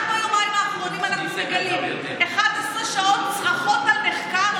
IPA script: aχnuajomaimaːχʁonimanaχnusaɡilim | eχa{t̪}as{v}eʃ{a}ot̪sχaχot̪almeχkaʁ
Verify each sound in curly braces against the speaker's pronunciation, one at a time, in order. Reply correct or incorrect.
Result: incorrect, incorrect, correct

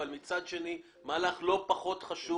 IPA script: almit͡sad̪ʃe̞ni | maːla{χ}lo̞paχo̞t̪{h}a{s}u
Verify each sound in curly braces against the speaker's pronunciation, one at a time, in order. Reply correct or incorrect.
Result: correct, incorrect, incorrect

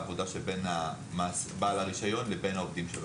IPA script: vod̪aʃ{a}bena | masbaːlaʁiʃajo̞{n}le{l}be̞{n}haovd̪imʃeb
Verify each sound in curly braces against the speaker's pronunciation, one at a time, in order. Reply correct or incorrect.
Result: incorrect, correct, incorrect, correct

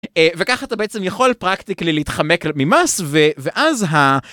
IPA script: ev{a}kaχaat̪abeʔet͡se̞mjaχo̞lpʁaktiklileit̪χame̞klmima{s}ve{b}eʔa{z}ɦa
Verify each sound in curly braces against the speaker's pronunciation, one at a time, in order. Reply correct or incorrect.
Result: incorrect, correct, incorrect, correct

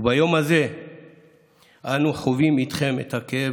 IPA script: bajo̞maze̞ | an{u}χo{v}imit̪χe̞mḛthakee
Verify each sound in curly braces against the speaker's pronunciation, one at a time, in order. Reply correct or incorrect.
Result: correct, correct

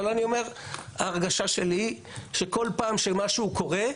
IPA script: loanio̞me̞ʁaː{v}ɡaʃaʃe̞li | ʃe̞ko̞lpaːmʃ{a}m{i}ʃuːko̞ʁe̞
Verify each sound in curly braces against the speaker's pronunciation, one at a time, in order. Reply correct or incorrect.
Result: incorrect, incorrect, incorrect

